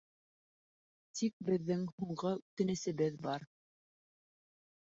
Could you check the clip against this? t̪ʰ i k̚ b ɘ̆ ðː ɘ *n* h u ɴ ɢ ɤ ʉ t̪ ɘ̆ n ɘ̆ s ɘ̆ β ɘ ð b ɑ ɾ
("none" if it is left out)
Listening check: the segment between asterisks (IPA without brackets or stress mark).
ŋ